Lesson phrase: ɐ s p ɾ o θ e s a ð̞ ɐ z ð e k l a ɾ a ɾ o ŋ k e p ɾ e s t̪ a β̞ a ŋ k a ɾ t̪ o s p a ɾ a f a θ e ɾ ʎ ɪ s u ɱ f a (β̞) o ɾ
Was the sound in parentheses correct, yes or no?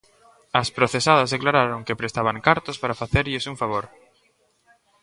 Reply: yes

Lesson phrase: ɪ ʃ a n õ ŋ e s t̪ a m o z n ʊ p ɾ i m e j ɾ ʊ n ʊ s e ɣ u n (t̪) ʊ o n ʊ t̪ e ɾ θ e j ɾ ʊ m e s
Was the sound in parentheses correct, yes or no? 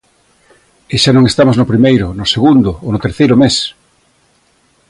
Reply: no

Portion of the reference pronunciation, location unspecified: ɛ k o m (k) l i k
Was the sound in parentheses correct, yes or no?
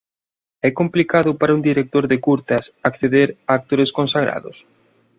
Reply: no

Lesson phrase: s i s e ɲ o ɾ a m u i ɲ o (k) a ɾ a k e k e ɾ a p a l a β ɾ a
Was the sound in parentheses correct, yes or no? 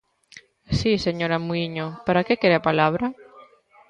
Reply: no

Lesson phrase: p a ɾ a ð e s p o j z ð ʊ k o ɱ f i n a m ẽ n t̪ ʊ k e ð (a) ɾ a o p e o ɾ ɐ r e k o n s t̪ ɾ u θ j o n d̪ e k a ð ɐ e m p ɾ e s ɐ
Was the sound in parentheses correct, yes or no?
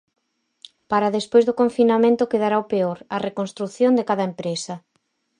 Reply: yes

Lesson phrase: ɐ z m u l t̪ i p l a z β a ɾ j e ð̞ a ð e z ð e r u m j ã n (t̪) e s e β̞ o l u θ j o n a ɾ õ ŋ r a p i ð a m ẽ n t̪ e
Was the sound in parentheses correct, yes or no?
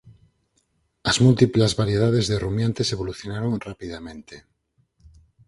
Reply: yes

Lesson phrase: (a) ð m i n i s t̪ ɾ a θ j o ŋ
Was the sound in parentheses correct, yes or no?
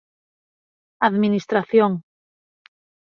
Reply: yes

